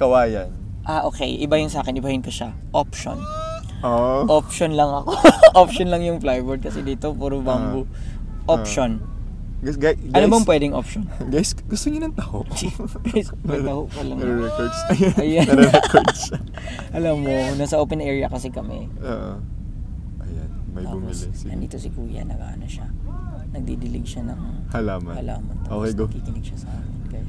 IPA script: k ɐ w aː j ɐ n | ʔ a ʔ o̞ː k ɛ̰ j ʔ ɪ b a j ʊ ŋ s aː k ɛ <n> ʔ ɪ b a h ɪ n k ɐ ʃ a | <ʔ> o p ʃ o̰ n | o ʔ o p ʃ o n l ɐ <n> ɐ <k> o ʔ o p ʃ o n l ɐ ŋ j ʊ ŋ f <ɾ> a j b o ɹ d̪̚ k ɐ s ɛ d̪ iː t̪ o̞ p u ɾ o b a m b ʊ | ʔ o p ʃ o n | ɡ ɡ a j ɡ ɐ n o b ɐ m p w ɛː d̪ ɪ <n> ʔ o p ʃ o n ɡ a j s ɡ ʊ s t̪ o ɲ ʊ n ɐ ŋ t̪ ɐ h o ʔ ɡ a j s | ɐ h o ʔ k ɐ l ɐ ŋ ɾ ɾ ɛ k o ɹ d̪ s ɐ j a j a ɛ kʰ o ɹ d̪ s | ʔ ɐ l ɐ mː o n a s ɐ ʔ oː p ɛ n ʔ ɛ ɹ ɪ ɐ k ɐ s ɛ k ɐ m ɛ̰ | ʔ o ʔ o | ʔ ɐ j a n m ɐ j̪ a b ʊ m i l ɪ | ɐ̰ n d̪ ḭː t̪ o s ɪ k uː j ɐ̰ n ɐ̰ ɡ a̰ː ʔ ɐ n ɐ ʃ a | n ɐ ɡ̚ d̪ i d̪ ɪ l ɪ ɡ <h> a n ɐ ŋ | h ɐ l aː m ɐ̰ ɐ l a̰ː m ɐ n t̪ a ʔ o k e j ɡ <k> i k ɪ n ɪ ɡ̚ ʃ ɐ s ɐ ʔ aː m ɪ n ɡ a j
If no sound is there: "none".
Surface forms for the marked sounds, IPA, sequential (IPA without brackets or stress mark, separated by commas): n, ʔ, ŋ, k, l, ŋ, ʃ, k